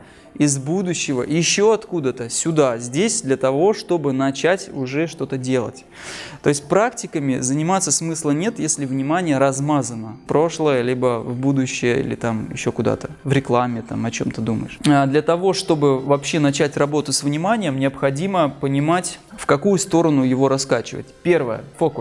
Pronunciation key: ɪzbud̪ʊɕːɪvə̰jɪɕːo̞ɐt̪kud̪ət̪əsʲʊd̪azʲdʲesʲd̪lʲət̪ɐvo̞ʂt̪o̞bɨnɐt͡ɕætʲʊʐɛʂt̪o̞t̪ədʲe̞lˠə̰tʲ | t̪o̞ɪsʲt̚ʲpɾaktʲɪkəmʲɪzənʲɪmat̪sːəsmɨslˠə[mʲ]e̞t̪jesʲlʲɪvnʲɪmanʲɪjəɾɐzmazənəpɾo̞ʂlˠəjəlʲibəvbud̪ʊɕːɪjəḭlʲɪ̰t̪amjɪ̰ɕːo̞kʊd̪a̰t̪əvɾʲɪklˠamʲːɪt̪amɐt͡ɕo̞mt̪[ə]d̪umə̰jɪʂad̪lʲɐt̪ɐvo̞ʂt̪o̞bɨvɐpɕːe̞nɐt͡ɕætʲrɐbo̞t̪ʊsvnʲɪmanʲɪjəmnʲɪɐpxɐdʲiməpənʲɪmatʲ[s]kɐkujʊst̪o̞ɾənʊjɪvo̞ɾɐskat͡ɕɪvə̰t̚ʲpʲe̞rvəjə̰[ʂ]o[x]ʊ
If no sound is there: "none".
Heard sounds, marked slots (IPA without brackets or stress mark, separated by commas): nʲ, ə, f, f, k